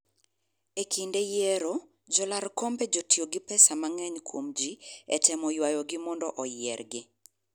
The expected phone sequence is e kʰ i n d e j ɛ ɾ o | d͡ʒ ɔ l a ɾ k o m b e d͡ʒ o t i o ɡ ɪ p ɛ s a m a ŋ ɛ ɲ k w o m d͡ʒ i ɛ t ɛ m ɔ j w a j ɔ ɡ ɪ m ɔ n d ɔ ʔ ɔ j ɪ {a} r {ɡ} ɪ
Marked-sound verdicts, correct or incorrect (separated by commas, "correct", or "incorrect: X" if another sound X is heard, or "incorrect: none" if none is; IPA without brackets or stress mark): incorrect: ɛ, correct